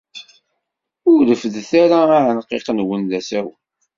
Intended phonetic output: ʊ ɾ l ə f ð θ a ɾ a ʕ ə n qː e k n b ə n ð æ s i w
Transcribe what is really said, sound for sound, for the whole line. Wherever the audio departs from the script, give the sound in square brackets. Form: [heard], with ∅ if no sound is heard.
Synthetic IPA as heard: ʊ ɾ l ə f ð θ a ɾ a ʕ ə n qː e [q] n [w] ə n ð æ s [æ] w